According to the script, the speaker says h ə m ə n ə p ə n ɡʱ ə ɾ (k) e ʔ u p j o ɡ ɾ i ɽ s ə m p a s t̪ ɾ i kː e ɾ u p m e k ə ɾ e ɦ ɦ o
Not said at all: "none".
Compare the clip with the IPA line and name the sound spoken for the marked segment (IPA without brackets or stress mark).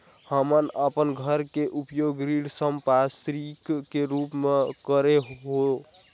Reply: k